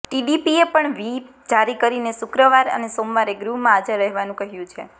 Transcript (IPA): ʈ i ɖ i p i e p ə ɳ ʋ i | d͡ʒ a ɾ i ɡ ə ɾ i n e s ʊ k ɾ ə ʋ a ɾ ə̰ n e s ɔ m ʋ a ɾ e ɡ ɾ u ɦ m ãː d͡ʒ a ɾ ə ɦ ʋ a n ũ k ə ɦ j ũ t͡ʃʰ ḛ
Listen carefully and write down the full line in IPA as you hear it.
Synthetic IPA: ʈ i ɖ i p i e p ə ɳ ʋ i | d͡ʒ a ɾ i k ə ɾ i n e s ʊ k ɾ ə ʋ a ɾ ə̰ n e s o m ʋ a ɾ e ɡ ɾ u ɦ m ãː d͡ʒ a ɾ ə ɦ ʋ a n ũ k ə ɦ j ũ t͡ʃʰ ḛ